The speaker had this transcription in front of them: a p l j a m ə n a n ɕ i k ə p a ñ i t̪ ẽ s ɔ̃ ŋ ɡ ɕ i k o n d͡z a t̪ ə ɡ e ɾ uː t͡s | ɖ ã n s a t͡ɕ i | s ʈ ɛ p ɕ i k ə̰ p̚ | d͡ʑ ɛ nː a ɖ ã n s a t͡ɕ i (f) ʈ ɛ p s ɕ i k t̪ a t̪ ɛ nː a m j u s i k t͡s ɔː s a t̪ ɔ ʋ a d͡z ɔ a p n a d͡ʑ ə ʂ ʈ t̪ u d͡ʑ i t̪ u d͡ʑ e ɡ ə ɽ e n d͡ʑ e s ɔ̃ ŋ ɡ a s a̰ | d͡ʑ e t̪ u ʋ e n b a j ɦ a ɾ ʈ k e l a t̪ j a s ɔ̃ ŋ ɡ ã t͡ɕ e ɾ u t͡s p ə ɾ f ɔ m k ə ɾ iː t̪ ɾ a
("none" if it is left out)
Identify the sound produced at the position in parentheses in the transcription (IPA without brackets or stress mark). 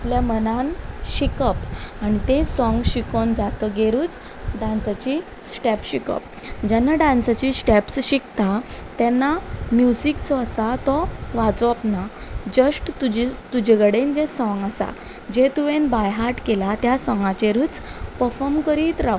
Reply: s